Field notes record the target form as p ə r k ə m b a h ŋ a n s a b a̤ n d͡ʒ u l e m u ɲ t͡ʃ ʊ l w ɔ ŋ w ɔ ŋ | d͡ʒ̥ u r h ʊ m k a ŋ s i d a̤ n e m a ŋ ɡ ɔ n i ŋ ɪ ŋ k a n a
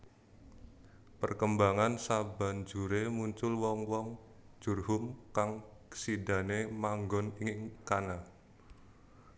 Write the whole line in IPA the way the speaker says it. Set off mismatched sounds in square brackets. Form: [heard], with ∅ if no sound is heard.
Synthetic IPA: p ə r k ə m b a [∅] ŋ a n s a b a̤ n d͡ʒ u [ɾ] e m u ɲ t͡ʃ ʊ l w ɔ ŋ w ɔ ŋ | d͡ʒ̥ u r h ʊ m k a ŋ s i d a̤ n e m a ŋ ɡ ɔ n i ŋ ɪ ŋ k a n a

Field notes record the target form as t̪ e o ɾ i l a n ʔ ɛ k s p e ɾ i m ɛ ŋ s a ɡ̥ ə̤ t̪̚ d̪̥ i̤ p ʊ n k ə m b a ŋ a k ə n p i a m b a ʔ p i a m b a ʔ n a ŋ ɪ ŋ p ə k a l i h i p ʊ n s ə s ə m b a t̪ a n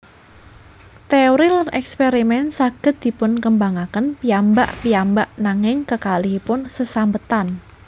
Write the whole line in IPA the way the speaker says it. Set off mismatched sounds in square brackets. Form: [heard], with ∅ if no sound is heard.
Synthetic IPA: t̪ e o ɾ i l a n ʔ ɛ k s p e ɾ i m ɛ [n] s a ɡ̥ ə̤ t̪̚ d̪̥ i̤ p ʊ n k ə m b a ŋ a k ə n p i a m b a ʔ p i a m b a ʔ n a ŋ ɪ ŋ [k] ə k a l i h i p ʊ n s ə s [a] m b [ə] t̪ a n

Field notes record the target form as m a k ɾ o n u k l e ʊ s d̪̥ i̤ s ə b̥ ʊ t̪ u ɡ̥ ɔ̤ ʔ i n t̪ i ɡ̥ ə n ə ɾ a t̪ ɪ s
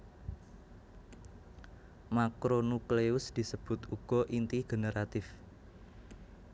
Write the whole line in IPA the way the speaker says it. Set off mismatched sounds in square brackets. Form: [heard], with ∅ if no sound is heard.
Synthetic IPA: m a k ɾ o n u k l e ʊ s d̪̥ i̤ s ə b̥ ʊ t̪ u ɡ̥ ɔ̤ ʔ i n t̪ i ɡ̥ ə n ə ɾ a t̪ ɪ [f]

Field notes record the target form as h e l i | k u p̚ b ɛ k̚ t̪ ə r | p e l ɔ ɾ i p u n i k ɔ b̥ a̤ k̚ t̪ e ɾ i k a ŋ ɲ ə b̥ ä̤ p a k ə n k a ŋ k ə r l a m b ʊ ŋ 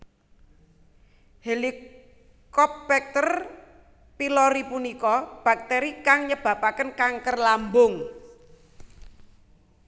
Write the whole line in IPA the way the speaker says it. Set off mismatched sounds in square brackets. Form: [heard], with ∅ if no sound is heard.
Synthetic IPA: h e l i | k [ɔ] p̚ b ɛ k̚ t̪ ə r | p [i] l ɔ ɾ i p u n i k ɔ b̥ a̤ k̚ t̪ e ɾ i k a ŋ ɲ ə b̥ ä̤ p a k ə n k a ŋ k ə r l a m b ʊ ŋ

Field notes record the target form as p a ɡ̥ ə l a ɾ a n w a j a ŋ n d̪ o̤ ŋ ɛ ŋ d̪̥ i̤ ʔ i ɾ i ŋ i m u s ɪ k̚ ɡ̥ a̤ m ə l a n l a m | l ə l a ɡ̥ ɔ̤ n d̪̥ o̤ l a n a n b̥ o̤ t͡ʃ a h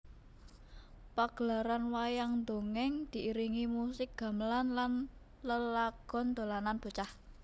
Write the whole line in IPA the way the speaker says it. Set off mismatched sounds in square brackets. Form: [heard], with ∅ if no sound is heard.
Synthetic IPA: p a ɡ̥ ə l a ɾ a n w a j a ŋ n d̪ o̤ ŋ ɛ ŋ d̪̥ i̤ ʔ i ɾ i ŋ i m u s ɪ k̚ ɡ̥ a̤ m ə l a n l a [n] | l ə l a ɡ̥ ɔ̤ n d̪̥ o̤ l a n a n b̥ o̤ t͡ʃ a h

